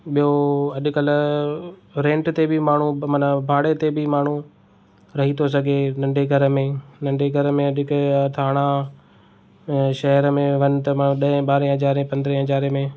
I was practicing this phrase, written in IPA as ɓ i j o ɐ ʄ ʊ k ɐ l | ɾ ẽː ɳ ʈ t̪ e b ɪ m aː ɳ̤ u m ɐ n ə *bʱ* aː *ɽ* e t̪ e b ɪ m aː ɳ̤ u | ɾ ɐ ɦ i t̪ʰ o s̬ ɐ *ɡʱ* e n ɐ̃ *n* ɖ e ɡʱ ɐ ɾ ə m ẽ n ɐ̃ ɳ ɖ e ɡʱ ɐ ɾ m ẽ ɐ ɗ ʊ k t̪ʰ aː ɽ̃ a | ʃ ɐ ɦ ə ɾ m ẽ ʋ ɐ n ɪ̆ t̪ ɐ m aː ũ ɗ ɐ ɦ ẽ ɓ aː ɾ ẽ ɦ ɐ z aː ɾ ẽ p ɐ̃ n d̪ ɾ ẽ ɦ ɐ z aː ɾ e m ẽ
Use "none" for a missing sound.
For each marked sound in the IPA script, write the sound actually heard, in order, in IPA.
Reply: bʱ, ɽ, ɡʱ, ɳ

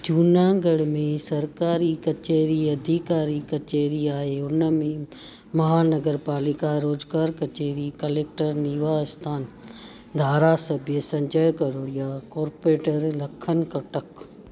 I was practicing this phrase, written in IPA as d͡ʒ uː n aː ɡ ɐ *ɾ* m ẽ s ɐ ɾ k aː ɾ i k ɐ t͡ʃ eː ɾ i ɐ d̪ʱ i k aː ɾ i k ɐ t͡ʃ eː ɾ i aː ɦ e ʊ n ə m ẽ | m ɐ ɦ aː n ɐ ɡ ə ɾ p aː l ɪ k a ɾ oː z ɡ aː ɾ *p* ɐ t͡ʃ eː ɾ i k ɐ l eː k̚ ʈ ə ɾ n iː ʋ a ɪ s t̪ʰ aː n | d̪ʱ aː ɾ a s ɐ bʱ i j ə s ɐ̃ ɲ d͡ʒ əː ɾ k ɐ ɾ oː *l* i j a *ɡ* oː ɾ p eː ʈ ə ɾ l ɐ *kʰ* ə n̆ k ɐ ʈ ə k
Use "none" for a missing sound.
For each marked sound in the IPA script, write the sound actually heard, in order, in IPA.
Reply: ɽ, k, ɽ, k, kʰ

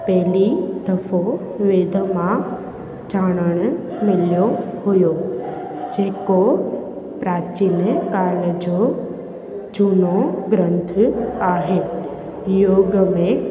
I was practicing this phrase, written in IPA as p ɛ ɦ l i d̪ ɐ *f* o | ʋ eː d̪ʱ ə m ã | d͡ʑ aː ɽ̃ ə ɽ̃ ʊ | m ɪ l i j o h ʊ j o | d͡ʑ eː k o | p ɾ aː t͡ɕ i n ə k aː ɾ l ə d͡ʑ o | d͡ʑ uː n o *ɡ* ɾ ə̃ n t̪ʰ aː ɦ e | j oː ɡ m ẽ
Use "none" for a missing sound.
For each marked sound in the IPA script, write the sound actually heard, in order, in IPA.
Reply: f, ɡ

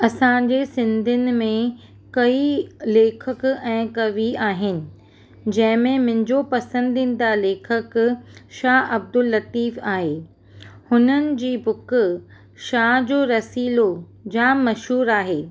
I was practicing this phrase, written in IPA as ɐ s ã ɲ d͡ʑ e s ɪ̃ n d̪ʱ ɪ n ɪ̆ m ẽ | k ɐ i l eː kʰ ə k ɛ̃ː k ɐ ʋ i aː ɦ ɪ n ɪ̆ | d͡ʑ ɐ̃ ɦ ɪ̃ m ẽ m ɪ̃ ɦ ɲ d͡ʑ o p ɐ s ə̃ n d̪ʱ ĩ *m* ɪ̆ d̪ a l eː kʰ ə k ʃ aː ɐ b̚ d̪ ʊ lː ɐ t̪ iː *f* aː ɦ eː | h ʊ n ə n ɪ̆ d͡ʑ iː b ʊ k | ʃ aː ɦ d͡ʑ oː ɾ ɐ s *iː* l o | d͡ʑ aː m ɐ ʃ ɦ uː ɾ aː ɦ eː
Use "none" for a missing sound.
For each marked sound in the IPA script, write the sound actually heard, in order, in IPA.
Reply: n, f, iː

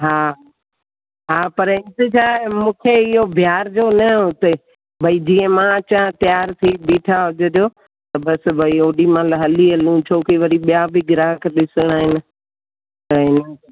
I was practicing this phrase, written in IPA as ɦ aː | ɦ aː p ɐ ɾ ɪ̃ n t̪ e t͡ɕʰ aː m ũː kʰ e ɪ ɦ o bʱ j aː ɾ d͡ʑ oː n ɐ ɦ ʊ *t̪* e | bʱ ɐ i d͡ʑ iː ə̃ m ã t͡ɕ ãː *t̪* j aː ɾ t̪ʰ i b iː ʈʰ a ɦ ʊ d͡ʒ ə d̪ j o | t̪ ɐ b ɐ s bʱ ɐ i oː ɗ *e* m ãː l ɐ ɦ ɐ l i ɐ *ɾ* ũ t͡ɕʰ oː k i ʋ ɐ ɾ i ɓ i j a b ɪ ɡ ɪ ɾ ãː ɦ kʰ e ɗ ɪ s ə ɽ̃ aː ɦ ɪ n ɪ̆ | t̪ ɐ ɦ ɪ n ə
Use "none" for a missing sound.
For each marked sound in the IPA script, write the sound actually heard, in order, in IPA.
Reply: t̪, t̪, i, l

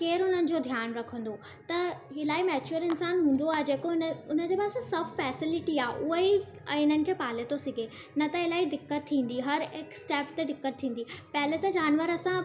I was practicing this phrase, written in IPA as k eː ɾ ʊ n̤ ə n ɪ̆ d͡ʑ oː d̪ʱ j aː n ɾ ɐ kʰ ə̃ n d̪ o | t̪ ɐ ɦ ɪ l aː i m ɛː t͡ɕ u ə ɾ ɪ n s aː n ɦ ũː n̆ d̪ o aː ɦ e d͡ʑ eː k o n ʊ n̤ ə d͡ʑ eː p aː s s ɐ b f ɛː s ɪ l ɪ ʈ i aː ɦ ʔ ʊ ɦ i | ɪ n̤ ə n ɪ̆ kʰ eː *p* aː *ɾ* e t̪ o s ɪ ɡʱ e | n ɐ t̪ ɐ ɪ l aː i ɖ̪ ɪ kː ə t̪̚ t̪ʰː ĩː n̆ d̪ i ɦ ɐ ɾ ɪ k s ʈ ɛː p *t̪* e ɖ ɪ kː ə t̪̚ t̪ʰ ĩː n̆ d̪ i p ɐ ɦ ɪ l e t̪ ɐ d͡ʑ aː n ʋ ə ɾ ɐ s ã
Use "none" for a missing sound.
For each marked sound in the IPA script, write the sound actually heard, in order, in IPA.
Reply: p, l, t̪

